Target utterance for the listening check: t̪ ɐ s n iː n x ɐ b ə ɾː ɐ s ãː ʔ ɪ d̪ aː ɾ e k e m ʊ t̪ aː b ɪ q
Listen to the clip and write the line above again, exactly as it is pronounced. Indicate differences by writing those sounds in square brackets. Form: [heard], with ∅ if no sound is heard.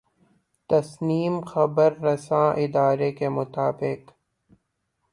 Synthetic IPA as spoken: t̪ ɐ s n iː [m] x ɐ b ə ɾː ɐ s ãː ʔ ɪ d̪ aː ɾ e k e m ʊ t̪ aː b ɪ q